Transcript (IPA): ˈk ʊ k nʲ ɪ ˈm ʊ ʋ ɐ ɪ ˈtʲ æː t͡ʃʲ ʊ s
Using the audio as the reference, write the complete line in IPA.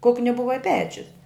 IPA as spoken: ˈk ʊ k nʲ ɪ ˈb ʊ ʋ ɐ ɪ ˈpʲ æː t͡ʃʲ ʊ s